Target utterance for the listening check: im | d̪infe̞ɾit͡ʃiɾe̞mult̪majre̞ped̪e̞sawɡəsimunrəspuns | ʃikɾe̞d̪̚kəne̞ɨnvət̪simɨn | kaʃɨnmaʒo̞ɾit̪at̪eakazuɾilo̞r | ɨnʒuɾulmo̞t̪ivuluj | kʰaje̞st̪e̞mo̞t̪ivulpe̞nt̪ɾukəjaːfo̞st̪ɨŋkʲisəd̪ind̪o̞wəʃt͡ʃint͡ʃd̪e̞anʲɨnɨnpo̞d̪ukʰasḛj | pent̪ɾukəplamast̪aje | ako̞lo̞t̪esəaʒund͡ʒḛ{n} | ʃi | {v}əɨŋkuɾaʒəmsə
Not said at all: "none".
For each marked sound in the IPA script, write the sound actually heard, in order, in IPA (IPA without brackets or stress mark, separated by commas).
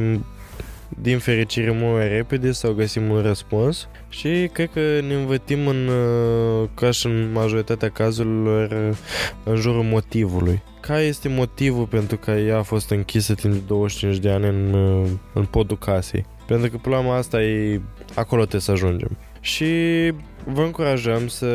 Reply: m, v